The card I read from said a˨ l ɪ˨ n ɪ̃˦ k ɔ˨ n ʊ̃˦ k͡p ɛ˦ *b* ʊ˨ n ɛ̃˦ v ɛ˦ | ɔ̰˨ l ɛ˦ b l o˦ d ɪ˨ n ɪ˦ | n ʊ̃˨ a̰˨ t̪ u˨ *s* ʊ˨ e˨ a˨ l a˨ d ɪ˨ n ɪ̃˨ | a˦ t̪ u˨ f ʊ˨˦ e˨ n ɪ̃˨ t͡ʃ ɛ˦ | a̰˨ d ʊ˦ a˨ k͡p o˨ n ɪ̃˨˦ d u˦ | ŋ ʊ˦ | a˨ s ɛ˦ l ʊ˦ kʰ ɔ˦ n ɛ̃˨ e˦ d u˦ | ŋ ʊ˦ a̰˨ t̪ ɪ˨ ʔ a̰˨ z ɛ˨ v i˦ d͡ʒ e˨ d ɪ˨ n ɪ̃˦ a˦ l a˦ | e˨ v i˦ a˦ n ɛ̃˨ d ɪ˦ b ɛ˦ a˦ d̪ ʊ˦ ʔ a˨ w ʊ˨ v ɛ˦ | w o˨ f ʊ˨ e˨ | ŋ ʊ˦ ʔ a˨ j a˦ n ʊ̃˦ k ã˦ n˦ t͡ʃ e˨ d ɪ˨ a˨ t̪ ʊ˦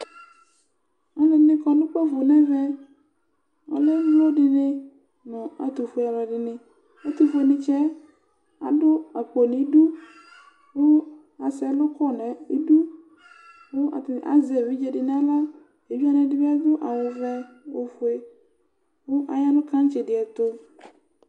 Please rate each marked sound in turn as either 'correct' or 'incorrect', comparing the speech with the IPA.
incorrect: v, incorrect: f

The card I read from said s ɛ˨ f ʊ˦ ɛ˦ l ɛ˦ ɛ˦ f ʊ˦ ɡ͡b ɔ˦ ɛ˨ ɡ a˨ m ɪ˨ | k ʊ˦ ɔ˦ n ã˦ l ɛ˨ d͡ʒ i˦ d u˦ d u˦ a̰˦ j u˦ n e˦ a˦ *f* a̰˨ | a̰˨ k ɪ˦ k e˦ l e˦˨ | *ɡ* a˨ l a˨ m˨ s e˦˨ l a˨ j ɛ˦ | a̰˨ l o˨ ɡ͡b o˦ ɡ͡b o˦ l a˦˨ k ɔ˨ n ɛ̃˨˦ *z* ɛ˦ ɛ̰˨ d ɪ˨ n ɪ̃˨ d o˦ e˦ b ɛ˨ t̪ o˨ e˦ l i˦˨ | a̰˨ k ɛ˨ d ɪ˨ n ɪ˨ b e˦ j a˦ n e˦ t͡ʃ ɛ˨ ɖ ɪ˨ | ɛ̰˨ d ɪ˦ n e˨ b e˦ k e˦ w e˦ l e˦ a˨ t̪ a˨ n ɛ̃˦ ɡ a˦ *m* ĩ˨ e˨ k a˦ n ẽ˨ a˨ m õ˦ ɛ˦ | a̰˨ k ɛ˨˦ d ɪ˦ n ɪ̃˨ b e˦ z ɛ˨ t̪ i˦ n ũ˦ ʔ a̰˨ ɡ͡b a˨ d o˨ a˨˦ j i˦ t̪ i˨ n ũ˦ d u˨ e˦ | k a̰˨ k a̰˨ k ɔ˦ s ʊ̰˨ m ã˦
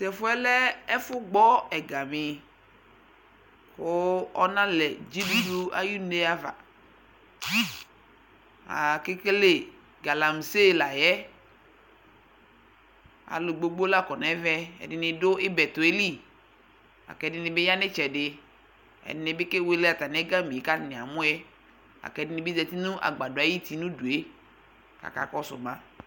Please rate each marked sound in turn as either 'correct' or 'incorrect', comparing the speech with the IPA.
incorrect: v, correct, incorrect: v, correct

